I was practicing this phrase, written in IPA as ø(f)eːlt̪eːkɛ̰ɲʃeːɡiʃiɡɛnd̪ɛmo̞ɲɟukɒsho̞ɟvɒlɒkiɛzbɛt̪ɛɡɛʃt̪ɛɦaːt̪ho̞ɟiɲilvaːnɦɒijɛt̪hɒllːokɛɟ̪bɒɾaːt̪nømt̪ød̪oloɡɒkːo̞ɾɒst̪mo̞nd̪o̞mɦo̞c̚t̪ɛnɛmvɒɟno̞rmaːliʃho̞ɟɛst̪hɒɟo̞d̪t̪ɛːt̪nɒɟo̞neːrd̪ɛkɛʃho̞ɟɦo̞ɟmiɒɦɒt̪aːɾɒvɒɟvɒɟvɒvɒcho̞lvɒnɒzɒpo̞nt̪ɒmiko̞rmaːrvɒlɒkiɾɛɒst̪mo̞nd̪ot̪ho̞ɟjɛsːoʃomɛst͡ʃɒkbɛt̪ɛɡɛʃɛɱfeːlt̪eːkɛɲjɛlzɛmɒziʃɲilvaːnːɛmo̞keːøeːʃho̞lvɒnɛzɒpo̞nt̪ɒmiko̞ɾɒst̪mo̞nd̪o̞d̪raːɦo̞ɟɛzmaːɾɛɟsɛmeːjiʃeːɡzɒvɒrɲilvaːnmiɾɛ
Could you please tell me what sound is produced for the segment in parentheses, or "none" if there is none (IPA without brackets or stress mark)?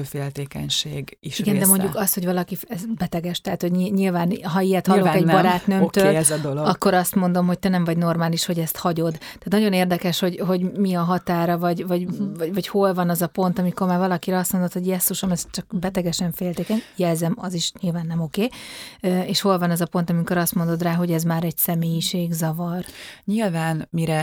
f